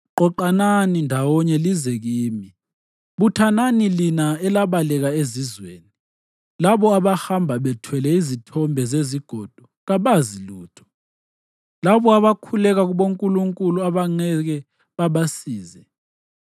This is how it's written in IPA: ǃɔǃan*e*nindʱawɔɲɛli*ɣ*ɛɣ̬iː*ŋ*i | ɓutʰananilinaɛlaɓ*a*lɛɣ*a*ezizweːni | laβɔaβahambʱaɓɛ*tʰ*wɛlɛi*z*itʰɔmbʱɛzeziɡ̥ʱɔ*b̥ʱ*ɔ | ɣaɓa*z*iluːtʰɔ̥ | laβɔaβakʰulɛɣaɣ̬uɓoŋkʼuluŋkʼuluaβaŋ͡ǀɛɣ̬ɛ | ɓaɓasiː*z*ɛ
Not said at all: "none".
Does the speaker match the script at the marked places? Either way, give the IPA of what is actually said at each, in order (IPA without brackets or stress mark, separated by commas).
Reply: a, z, m, a, a, tʰ, z, d̥ʱ, z, z